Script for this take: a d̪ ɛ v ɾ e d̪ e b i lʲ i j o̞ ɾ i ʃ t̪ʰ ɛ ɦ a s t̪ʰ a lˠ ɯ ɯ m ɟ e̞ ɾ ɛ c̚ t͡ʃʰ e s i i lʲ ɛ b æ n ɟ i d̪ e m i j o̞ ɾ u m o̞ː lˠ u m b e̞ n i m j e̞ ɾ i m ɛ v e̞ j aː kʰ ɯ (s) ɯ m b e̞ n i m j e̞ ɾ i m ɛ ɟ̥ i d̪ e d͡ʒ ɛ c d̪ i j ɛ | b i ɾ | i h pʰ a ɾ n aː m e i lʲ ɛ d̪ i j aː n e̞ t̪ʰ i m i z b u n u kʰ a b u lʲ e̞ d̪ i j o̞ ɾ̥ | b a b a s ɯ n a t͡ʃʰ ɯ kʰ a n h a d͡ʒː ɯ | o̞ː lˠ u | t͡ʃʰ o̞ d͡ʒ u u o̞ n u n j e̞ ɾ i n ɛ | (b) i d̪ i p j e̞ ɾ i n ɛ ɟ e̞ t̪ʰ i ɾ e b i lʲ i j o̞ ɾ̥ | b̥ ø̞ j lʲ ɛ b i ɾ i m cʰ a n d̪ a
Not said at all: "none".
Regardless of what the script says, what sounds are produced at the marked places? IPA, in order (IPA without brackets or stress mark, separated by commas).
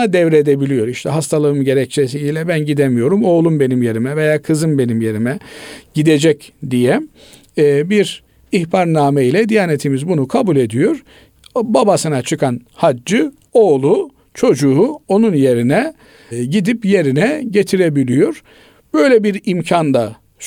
z, ɟ